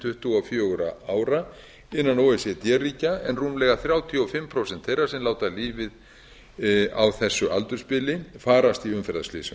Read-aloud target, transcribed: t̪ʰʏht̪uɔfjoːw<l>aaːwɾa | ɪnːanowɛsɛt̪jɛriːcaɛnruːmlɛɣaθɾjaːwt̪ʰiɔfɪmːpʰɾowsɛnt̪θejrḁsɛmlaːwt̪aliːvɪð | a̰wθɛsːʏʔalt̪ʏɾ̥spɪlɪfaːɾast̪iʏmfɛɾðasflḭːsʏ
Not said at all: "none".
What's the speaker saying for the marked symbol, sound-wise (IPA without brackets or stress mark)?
ɾ